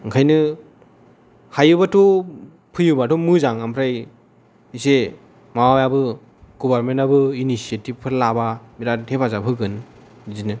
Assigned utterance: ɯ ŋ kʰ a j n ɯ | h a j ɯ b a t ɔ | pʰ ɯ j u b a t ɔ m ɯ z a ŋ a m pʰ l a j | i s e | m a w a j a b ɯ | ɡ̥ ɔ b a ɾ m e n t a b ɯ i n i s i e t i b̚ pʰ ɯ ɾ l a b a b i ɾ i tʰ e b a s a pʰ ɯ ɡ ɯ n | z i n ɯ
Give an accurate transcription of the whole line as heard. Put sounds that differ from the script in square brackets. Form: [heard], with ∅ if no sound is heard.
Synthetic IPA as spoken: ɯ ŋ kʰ a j n ɯ | h a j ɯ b a t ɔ | pʰ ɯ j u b a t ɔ m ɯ z a ŋ a m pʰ [ɾ] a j | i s e | m a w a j a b ɯ | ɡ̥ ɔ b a ɾ m e n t a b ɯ i n i s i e t i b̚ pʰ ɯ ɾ l a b a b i ɾ [a] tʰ e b a [z] a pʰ ɯ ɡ ɯ n | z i n ɯ

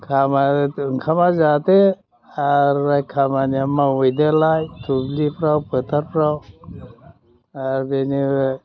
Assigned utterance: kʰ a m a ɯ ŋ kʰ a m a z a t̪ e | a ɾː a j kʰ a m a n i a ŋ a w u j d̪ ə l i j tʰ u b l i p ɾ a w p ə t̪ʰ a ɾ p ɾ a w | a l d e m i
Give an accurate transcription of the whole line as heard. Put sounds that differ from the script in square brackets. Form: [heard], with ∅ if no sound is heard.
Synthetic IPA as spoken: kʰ a m a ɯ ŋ kʰ a m a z a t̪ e | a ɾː a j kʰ a m a n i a [m] a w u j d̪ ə l [a] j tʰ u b l i p ɾ a w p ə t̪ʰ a ɾ p ɾ a w | a [ɾ] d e [n] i

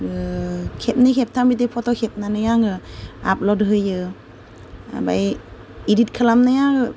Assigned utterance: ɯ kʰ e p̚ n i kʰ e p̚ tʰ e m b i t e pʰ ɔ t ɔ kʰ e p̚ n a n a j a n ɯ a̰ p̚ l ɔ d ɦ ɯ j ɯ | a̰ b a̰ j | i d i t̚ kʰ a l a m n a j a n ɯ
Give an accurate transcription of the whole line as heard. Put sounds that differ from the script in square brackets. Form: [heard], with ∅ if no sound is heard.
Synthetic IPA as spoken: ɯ kʰ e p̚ n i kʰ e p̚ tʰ [a] m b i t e pʰ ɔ t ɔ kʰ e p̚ n a n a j a [ŋ] ɯ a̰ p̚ l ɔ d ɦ ɯ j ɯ | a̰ b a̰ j | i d i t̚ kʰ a l a m n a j a [ŋ] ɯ

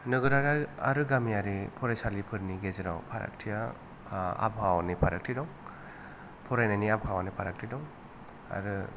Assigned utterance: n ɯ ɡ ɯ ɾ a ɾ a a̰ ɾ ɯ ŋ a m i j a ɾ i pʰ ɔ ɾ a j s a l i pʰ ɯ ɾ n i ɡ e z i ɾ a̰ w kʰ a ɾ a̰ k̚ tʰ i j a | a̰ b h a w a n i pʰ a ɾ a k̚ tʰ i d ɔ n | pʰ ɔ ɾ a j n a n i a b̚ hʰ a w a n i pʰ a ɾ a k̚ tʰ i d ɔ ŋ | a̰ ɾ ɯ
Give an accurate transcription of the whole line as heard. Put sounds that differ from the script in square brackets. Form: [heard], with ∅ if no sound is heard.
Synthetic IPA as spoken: n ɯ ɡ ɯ ɾ a ɾ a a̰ ɾ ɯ [ɡ] a m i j a ɾ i pʰ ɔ ɾ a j s a l i pʰ ɯ ɾ n i ɡ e z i ɾ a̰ w [pʰ] a ɾ a̰ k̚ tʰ i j a | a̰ b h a w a n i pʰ a ɾ a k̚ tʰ i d ɔ [ŋ] | pʰ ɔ ɾ a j n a n i a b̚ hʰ a w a n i pʰ a ɾ a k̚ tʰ i d ɔ ŋ | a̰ ɾ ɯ

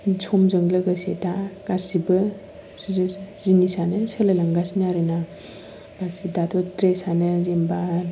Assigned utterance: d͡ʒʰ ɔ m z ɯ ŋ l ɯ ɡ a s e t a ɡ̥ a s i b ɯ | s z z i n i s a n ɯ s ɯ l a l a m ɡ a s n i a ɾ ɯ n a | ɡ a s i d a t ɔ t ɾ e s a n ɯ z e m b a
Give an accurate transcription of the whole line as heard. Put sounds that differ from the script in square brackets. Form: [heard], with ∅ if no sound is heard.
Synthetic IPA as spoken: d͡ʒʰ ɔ m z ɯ ŋ l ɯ ɡ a s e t a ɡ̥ a s i b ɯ | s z z i n i s a n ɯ s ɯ l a l a [ŋ] ɡ a s n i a ɾ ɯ n a | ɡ a s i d a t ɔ t ɾ e s a n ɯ z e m b a

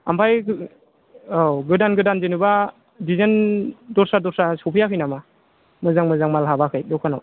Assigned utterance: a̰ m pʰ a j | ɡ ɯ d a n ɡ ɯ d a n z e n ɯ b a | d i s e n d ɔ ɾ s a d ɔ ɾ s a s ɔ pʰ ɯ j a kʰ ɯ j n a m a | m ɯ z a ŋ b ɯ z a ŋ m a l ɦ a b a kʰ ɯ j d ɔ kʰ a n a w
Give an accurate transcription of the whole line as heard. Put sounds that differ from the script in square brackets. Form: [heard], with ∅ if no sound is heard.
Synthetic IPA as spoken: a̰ m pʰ a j | ɡ ɯ d a n ɡ ɯ d a n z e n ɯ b a | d i [z] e n d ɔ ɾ s a d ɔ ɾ s a s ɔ pʰ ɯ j a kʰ ɯ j n a m a | m ɯ z a ŋ [m] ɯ z a ŋ m a l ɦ a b a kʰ ɯ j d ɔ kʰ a n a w

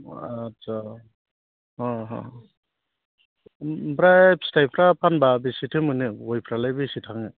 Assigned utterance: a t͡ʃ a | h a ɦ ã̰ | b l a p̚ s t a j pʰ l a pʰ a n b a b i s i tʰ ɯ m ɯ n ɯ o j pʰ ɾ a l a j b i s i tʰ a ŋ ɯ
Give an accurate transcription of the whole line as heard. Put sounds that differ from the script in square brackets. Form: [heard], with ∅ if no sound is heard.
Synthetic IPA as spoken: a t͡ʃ a | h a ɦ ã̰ | b [ɾ] a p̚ s t a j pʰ [ɾ] a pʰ a n b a b i s i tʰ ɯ m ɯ n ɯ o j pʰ ɾ a l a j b i s i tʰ a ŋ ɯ

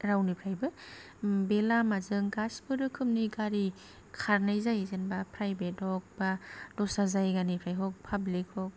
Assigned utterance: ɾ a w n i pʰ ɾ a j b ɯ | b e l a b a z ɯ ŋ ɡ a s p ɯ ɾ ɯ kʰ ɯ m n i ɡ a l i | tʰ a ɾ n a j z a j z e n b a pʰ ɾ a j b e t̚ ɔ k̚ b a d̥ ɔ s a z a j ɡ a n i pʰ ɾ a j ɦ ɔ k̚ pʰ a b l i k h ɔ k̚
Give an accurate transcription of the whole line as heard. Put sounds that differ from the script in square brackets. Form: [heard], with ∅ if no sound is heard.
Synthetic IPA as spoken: ɾ a w n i pʰ ɾ a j b ɯ | b e l a [m] a z ɯ ŋ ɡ a s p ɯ ɾ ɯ kʰ ɯ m n i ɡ a [ɾ] i | [kʰ] a ɾ n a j z a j z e n b a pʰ ɾ a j b e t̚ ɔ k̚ b a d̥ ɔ s a z a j ɡ a n i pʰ ɾ a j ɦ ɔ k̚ pʰ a b l i k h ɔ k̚

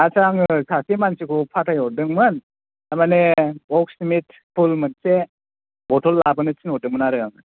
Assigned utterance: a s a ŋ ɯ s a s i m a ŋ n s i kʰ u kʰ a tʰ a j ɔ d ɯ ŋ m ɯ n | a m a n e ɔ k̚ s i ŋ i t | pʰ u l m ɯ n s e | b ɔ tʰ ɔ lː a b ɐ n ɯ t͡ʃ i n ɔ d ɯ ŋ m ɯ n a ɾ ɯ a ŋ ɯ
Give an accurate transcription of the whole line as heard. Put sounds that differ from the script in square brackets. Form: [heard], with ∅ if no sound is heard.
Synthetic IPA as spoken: a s a ŋ ɯ s a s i m a [∅] n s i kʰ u [pʰ] a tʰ a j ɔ d ɯ ŋ m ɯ n | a m a n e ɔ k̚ s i [m] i t | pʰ u l m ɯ n s e | b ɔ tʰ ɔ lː a b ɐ n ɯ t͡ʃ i n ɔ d ɯ ŋ m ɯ n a ɾ ɯ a ŋ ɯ

